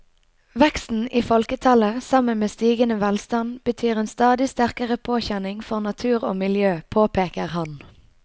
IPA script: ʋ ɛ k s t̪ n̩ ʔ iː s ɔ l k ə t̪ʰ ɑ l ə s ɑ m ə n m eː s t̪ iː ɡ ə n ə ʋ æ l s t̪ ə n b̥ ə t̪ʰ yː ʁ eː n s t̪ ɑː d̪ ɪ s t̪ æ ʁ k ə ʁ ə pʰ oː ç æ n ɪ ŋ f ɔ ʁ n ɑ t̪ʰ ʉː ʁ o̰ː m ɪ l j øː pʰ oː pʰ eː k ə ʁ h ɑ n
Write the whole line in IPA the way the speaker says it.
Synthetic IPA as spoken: ʋ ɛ k s t̪ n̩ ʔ iː f ɔ l k ə t̪ʰ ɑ l ə s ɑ m ə n m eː s t̪ iː ɡ ə n ə ʋ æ l s t̪ ɑ n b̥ ə t̪ʰ yː ʁ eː n s t̪ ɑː d̪ ɪ s t̪ æ ʁ k ə ʁ ə pʰ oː ç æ n ɪ ŋ f ɔ ʁ n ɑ t̪ʰ ʉː ʁ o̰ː m ɪ l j øː pʰ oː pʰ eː k ə ʁ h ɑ n